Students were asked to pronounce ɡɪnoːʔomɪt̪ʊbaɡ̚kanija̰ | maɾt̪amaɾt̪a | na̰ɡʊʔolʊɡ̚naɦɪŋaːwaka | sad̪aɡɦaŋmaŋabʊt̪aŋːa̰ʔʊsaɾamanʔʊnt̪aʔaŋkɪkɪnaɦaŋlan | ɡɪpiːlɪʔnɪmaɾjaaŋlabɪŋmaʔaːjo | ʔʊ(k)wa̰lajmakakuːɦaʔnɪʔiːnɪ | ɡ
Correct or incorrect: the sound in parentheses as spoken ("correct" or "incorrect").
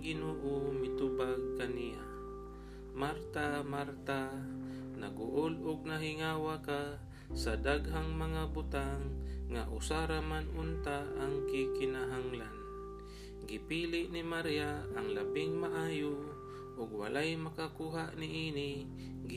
incorrect